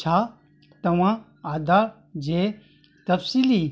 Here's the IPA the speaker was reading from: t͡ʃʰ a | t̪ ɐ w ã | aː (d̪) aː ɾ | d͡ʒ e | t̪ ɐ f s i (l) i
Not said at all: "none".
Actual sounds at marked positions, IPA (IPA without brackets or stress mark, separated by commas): d̪, l